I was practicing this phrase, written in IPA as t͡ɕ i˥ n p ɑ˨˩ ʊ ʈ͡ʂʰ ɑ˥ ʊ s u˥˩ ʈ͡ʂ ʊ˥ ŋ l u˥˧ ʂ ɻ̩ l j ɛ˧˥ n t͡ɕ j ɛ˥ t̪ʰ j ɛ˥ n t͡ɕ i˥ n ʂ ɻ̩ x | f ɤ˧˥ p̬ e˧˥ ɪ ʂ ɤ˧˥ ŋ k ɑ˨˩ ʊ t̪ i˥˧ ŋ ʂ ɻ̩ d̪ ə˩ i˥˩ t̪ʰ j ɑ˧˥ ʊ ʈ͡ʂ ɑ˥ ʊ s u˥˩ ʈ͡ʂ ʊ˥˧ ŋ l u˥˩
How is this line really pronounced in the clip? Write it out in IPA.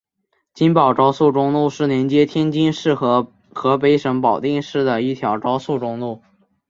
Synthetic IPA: t͡ɕ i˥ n p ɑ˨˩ ʊ ʈ͡ʂ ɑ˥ ʊ s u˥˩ ʈ͡ʂ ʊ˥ ŋ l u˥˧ ʂ ɻ̩ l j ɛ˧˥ n t͡ɕ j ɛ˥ t̪ʰ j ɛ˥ n t͡ɕ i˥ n ʂ ɻ̩ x | x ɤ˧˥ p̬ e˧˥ ɪ ʂ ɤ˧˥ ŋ p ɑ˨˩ ʊ t̪ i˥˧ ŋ ʂ ɻ̩ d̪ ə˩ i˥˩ t̪ʰ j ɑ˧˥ ʊ ʈ͡ʂ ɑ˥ ʊ s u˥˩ ʈ͡ʂ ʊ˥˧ ŋ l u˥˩